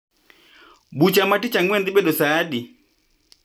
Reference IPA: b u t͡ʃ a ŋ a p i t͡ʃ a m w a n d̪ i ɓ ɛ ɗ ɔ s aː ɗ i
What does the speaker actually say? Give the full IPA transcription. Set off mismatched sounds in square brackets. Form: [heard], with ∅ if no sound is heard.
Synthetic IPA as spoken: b u t͡ʃ a [m] a [t] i t͡ʃ a [ŋ] w [ɛ] n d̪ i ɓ ɛ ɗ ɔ s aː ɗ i